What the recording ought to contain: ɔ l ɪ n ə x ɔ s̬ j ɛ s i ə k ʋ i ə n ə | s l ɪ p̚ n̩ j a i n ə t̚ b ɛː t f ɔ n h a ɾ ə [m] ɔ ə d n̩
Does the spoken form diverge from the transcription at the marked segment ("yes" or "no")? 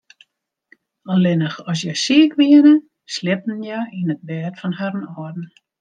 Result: yes